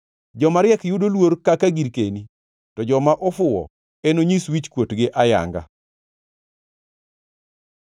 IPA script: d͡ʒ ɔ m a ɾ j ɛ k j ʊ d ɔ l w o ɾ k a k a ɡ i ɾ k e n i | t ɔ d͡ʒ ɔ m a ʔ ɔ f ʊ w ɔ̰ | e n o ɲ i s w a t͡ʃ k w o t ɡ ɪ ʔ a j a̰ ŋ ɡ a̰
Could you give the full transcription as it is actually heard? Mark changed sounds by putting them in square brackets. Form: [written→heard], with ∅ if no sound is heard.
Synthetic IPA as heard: d͡ʒ ɔ m a ɾ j ɛ k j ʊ d [ɔ→o] l w o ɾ k a k a ɡ i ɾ k e n i | t ɔ d͡ʒ ɔ m a ʔ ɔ f ʊ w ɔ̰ | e n o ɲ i s w [a→i] t͡ʃ k w o t ɡ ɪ ʔ a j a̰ ŋ ɡ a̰

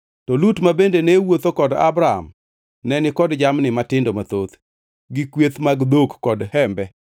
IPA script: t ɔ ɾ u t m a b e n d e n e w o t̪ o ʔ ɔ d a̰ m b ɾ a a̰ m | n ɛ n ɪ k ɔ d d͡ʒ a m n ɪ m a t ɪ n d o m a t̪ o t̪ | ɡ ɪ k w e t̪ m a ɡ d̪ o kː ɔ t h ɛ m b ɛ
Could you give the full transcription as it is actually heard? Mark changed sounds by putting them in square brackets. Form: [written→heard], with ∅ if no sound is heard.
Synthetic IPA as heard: t ɔ [ɾ→l] u t m a b e n d e n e w o t̪ o [ʔ→k] ɔ d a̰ [m→∅] b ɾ a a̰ m | n ɛ n ɪ k ɔ d d͡ʒ a m n ɪ m a t ɪ n d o m a t̪ o t̪ | ɡ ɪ k w e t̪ m a ɡ d̪ o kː ɔ [t→d] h ɛ m b ɛ

